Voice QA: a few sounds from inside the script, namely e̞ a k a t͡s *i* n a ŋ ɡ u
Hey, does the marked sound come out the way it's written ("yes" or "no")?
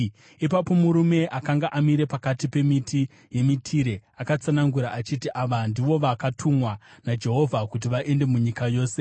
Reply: no